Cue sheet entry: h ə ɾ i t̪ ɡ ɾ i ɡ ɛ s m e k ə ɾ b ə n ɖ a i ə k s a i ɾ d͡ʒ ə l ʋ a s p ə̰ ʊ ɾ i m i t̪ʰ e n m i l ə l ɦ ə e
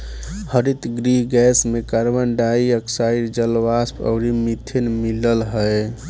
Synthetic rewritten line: h ə ɾ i t̪ ɡ ɾ i ɡ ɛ s m e k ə ɾ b ə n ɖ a i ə k s a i ɾ d͡ʒ ə l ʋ a s p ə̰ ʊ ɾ i m i t̪ʰ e n m i l ə l ɦ ə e